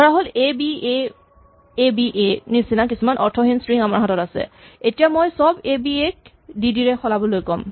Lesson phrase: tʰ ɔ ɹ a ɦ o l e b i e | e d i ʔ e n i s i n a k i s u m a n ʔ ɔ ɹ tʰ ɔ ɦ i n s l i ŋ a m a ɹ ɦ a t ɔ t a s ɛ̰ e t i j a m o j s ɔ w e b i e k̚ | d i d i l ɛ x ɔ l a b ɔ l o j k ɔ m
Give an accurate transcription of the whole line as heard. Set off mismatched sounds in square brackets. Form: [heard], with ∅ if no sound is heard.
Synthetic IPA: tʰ ɔ ɹ a ɦ o l e b i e | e [b] i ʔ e n i s i n a k i s u m a n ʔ ɔ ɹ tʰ ɔ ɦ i n s [ɹ] i ŋ a m a ɹ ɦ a t ɔ t a s ɛ̰ e t i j a m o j s ɔ [b] e b i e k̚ | d i d i [ɹ] ɛ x ɔ l a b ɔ l o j k ɔ m

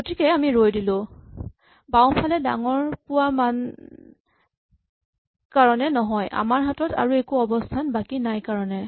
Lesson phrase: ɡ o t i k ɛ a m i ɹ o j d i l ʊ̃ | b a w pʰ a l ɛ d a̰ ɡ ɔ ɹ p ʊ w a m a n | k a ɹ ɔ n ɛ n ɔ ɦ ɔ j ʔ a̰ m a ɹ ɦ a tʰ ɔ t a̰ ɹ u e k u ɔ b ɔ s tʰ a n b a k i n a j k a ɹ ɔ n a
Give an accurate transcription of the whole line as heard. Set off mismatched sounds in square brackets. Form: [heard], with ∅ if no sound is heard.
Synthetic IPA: ɡ o t i k ɛ a m i ɹ o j d i l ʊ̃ | b a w pʰ a l ɛ d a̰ [ŋ] ɔ ɹ p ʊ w a m a n | k a ɹ ɔ n ɛ n ɔ ɦ ɔ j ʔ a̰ m a ɹ ɦ a [t] ɔ t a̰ ɹ u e k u ɔ b ɔ s tʰ a n b a k i n a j k a ɹ ɔ n [ɛ]

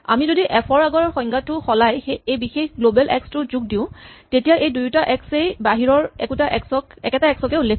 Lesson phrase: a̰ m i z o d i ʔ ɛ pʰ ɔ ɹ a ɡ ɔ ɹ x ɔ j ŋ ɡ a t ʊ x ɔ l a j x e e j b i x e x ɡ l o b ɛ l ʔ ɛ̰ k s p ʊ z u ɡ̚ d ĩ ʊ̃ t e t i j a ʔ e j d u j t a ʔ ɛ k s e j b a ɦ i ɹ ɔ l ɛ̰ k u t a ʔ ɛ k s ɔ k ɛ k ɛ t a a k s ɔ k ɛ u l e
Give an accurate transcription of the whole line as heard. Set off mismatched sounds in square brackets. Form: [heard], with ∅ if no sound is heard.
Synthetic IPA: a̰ m i z o d i ʔ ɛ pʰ ɔ ɹ a ɡ ɔ ɹ x ɔ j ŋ ɡ a t ʊ x ɔ l a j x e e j b i x e x ɡ l o b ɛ l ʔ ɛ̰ k s [t] ʊ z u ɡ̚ d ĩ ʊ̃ t e t i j a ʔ e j d u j t a ʔ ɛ k s e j b a ɦ i ɹ ɔ [ɹ] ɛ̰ k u t a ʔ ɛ k s ɔ k ɛ k ɛ t a [ɛ] k s ɔ k ɛ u l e

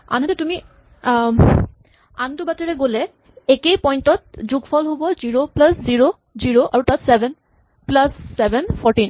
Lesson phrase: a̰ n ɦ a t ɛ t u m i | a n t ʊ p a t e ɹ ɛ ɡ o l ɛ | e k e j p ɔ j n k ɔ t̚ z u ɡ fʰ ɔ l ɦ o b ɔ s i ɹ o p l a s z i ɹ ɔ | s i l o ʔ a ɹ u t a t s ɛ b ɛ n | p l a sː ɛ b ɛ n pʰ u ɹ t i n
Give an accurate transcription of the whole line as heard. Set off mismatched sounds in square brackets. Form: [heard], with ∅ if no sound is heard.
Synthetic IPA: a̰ n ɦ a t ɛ t u m i | a n t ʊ [b] a t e ɹ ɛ ɡ o l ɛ | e k e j p ɔ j n [t] ɔ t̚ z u ɡ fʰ ɔ l ɦ o b ɔ [z] i ɹ o p l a s z i ɹ [o] | [z] i [ɹ] o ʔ a ɹ u t a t s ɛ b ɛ n | p l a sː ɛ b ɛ n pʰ [ɔ] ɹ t i n

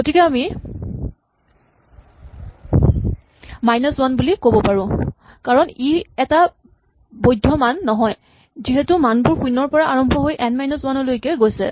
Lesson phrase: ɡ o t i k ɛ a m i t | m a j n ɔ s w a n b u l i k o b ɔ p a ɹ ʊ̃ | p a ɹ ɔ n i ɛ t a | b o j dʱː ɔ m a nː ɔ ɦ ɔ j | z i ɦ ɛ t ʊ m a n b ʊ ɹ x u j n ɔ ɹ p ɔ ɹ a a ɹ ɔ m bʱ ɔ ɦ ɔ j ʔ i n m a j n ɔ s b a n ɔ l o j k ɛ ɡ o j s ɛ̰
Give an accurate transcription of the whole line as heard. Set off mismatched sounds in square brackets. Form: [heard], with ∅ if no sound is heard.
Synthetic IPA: ɡ o t i k ɛ a m i [∅] | m a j n ɔ s w a n b u l i k o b ɔ p a ɹ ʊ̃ | [k] a ɹ ɔ n i ɛ t a | b o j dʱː ɔ m a nː ɔ ɦ ɔ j | z i ɦ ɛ t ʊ m a n b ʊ ɹ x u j n ɔ ɹ p ɔ ɹ a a ɹ ɔ m bʱ ɔ ɦ [o] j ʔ [ɛ] n m a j n ɔ s [w] a n ɔ l o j k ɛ ɡ o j s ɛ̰

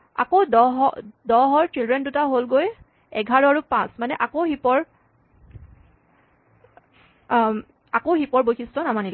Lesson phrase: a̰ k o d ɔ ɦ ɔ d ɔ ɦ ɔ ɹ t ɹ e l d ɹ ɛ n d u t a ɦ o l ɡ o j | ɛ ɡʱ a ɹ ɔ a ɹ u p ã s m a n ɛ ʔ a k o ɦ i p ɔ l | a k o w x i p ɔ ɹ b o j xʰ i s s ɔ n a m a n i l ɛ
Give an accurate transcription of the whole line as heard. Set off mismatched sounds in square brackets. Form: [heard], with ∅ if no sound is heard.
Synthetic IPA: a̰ k o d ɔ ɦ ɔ d ɔ ɦ ɔ ɹ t ɹ [i] l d ɹ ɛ n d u t a ɦ o l ɡ o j | ɛ ɡʱ a ɹ ɔ a ɹ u p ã s m a n ɛ ʔ a k o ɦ i p ɔ [ɹ] | a k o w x i p ɔ ɹ b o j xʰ i s [t] ɔ n a m a n i l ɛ

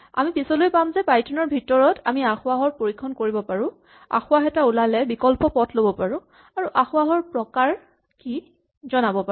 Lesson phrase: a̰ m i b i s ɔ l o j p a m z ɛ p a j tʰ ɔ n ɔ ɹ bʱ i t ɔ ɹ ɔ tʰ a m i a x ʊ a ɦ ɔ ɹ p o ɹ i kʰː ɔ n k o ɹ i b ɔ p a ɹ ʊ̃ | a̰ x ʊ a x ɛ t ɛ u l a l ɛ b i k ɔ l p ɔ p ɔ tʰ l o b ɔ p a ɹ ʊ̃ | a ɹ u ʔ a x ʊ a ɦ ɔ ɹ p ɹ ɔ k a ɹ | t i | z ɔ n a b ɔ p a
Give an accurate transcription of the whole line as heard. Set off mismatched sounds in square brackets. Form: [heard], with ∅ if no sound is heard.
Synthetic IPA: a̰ m i [p] i s ɔ l o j p a m z ɛ p a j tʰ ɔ n ɔ ɹ bʱ i t ɔ ɹ ɔ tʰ a m i a x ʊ a ɦ ɔ ɹ p o ɹ i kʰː ɔ n k o ɹ i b ɔ p a ɹ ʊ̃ | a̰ x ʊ a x ɛ t [a] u l a l ɛ b i k ɔ l p ɔ p ɔ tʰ l o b ɔ p a ɹ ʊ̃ | a ɹ u ʔ a x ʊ a ɦ ɔ ɹ p ɹ ɔ k a ɹ | [k] i | z ɔ n a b ɔ p a

